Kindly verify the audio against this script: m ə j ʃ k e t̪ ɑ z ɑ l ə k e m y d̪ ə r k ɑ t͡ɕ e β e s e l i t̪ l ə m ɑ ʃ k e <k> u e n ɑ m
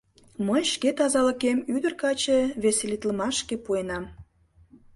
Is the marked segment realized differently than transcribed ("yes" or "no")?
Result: yes